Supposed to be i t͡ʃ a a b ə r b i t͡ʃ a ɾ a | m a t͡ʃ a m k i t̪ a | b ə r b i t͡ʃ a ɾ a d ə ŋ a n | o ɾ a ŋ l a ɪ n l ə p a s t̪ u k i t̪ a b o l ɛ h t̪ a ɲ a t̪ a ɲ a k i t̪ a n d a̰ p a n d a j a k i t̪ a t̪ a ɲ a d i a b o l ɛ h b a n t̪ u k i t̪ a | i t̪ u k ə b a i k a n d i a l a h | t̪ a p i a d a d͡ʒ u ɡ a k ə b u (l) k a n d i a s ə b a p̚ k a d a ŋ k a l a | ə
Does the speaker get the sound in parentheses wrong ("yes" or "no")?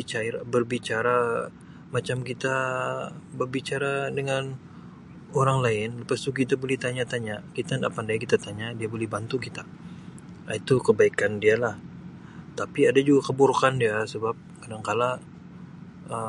yes